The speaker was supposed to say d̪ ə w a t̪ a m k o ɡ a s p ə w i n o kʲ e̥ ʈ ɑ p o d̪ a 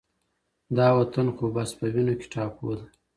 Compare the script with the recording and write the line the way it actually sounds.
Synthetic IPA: d̪ ɑ w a t̪ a n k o b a s p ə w i n o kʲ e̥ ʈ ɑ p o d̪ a